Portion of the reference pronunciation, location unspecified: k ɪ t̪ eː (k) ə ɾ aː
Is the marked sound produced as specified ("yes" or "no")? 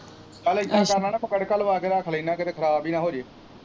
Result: no